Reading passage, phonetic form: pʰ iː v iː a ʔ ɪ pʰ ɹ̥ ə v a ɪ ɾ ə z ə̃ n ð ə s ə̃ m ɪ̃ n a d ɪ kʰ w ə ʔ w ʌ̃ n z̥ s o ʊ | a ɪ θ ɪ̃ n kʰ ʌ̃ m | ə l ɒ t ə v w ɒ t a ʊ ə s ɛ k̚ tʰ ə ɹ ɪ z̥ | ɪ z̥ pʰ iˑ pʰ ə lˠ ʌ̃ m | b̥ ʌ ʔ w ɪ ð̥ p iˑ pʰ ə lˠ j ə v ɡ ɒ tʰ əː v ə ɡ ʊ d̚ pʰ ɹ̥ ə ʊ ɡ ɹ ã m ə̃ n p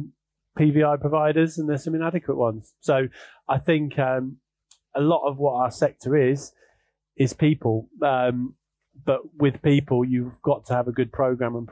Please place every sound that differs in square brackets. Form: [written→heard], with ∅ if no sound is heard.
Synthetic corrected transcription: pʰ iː v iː a [ʔ→∅] ɪ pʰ ɹ̥ ə v a ɪ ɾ ə z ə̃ n ð ə s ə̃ m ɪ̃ n a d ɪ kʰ w ə ʔ w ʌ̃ n z̥ s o ʊ | a ɪ θ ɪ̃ [n→ŋ] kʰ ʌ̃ m | ə l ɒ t ə v w ɒ t a ʊ ə s ɛ k̚ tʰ ə ɹ ɪ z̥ | ɪ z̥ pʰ iˑ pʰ ə lˠ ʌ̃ m | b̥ ʌ ʔ w ɪ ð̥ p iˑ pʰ ə lˠ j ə v ɡ ɒ tʰ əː v ə ɡ ʊ d̚ pʰ ɹ̥ ə ʊ ɡ ɹ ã m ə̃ n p

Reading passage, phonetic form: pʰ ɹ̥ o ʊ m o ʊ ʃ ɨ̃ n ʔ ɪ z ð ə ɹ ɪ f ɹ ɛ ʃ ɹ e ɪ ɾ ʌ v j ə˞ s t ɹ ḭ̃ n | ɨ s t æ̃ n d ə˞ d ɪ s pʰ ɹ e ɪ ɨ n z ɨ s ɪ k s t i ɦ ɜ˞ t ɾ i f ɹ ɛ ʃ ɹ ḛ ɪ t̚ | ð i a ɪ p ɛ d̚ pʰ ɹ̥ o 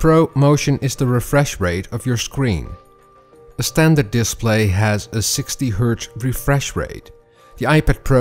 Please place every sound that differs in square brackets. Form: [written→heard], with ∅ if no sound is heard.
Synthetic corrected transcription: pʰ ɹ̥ o ʊ m o ʊ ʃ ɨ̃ n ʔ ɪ z ð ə ɹ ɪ f ɹ ɛ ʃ ɹ e ɪ ɾ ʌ v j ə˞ s [t→k] ɹ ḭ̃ n | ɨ s t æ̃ n d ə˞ d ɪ s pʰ [ɹ→l] e ɪ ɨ [n→∅] z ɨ s ɪ k s t i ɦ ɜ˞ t [ɾ→ɹ] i f ɹ ɛ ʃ ɹ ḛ ɪ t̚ | ð i a ɪ p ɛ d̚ pʰ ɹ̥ o

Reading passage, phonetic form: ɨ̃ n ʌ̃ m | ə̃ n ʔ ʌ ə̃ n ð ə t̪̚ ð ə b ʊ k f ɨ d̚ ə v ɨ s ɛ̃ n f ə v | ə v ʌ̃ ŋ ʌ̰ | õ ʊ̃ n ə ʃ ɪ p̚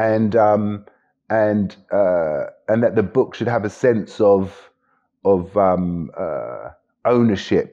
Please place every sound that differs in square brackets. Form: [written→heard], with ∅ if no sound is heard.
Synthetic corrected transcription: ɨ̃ n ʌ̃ m | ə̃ n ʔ ʌ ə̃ n ð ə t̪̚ ð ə b ʊ k [f→ʃ] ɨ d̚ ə v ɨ s ɛ̃ n [f→s] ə v | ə v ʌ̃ [ŋ→m] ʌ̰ | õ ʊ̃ n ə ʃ ɪ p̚

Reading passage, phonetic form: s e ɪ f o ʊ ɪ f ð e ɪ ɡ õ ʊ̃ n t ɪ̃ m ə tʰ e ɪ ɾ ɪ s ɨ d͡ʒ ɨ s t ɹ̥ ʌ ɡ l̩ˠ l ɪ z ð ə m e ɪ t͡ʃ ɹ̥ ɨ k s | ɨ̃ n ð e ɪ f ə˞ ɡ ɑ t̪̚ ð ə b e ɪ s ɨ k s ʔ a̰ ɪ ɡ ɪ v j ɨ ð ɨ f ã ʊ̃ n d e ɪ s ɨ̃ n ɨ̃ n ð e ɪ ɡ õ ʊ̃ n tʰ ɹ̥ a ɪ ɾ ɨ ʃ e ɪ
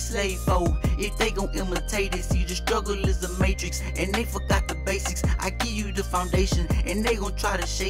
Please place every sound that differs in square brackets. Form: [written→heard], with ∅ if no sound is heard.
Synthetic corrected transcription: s e ɪ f o ʊ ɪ f ð e ɪ ɡ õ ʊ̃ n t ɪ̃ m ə tʰ e ɪ ɾ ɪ s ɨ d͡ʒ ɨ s t ɹ̥ ʌ ɡ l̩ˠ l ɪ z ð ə m e ɪ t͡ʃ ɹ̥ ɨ k s | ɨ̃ n ð e ɪ f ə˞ ɡ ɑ t̪̚ ð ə b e ɪ s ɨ k s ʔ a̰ ɪ ɡ ɪ v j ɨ ð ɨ f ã ʊ̃ n d e ɪ [s→ʃ] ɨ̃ n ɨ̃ n ð e ɪ ɡ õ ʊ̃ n tʰ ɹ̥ a ɪ ɾ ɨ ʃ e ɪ

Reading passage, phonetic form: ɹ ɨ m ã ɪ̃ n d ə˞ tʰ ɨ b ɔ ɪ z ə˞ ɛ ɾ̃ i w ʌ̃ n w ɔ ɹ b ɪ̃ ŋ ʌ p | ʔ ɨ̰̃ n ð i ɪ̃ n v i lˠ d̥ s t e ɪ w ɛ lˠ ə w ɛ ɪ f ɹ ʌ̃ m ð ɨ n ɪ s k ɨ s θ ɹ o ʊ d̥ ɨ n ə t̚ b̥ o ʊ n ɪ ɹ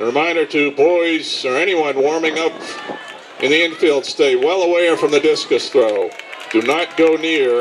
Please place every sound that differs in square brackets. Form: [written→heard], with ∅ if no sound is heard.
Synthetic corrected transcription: ɹ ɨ m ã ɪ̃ n d ə˞ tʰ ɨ b ɔ ɪ z ə˞ ɛ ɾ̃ i w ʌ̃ n w ɔ ɹ [b→m] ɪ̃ ŋ ʌ p | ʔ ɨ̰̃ n ð i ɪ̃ n [v→f] i lˠ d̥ s t e ɪ w ɛ lˠ ə w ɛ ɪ f ɹ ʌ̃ m ð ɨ [n→d] ɪ s k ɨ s θ ɹ o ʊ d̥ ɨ n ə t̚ [b̥→ɡ̥] o ʊ n ɪ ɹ

